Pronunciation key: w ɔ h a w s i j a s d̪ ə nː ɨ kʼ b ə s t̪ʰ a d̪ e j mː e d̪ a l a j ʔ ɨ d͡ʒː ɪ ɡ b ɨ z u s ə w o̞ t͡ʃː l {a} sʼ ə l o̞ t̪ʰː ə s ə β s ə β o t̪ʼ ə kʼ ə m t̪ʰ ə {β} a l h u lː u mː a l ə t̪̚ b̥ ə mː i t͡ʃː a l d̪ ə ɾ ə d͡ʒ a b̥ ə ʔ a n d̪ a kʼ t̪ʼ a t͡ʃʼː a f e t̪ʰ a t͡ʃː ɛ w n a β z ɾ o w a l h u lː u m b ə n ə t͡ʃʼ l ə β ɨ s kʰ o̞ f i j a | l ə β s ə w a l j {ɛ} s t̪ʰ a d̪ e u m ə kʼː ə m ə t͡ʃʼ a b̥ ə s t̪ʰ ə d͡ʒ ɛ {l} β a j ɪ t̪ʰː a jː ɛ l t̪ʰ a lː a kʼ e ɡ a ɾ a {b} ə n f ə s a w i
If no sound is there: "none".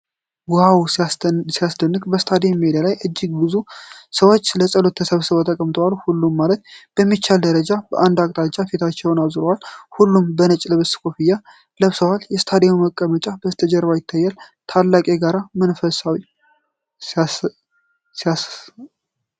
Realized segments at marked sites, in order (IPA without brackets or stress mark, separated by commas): ə, w, ɛ, ɾ, m